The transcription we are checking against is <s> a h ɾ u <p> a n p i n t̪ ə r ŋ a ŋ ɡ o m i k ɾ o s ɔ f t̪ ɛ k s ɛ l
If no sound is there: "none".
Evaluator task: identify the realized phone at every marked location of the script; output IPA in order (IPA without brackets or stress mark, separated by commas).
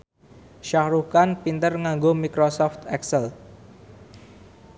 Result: ʃ, k